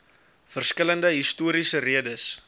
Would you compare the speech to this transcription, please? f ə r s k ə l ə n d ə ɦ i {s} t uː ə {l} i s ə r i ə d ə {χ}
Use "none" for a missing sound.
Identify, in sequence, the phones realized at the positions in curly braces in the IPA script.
s, ɾ, s

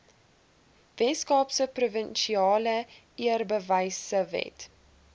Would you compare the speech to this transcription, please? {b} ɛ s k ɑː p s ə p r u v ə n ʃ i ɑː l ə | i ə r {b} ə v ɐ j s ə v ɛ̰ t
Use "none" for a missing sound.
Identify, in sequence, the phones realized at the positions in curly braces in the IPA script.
v, b

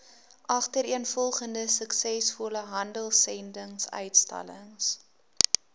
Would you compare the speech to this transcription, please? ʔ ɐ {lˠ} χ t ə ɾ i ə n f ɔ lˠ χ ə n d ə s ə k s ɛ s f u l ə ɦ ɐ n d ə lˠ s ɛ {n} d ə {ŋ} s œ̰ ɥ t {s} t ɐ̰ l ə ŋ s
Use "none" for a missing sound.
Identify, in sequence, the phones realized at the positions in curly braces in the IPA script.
none, n, ŋ, s

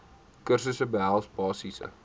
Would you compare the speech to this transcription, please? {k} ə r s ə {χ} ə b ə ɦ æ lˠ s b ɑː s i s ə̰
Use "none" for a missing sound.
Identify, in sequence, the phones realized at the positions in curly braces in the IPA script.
k, s

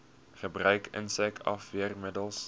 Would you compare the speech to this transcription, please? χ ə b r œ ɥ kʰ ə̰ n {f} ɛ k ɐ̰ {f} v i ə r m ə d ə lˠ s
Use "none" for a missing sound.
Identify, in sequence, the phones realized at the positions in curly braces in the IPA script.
s, f

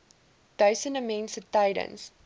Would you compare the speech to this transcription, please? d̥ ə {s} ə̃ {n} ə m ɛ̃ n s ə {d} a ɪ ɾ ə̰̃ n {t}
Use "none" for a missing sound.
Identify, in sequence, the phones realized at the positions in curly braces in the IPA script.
s, n, t, s

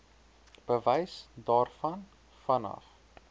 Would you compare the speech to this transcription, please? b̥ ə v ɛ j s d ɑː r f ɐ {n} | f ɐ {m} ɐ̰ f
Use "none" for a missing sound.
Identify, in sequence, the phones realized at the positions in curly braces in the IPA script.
n, n

